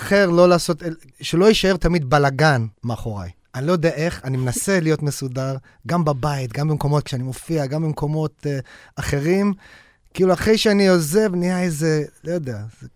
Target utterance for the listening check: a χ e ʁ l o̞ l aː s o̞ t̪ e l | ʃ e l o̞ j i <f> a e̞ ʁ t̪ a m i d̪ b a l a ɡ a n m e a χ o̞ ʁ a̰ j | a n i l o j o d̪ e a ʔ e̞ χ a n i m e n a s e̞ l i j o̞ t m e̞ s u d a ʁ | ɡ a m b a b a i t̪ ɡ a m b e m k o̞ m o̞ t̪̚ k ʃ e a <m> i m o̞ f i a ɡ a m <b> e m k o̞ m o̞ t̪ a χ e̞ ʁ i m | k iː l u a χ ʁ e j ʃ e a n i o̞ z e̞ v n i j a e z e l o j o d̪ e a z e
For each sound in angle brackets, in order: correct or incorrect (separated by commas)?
incorrect, incorrect, correct